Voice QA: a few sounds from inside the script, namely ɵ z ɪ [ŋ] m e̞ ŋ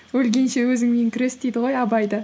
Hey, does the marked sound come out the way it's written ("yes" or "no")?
yes